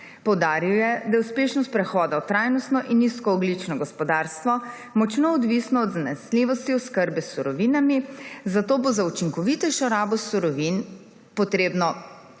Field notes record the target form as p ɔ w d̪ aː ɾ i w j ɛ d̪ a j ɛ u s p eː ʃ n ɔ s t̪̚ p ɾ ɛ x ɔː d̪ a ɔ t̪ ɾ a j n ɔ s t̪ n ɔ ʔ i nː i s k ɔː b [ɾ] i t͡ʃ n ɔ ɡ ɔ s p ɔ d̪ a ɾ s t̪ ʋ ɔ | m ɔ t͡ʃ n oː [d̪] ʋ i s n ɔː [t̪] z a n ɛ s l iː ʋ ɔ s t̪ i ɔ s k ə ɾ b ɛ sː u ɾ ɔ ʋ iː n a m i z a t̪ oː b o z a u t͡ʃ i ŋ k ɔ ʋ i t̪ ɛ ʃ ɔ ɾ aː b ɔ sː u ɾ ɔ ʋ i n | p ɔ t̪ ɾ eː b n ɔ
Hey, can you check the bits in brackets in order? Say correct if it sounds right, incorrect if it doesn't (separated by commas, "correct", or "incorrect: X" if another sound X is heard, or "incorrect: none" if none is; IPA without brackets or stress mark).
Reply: incorrect: l, correct, incorrect: d̪